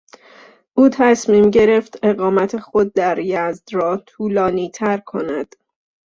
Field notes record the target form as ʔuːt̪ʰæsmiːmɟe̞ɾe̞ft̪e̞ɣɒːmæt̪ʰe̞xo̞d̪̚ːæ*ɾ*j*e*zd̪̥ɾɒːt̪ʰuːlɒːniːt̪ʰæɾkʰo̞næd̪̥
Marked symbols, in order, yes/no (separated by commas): yes, no